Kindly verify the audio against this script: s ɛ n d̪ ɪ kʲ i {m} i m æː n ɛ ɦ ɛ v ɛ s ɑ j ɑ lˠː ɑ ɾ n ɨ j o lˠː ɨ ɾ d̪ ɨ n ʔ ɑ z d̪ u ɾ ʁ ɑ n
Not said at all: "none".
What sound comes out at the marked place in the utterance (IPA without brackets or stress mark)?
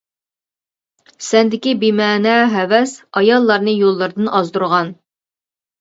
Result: b